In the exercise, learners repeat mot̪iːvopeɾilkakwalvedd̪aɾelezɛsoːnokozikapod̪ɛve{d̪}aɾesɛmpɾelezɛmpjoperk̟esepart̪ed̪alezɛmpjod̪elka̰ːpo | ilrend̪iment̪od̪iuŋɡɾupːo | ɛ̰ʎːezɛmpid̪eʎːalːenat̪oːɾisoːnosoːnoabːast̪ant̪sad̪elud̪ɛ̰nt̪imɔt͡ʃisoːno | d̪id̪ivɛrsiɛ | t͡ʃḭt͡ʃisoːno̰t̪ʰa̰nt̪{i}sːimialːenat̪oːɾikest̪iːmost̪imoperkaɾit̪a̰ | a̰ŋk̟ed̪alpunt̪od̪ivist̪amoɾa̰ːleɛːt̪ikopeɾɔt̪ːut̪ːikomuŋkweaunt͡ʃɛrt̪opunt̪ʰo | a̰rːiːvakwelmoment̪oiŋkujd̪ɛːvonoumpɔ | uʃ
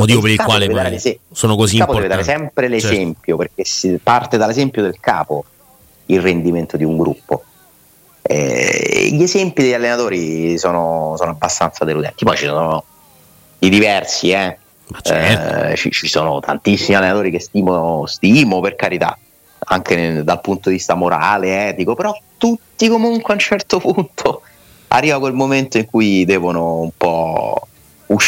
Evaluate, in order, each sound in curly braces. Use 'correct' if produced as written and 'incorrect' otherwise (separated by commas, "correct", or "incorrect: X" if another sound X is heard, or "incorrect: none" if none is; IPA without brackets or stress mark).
correct, correct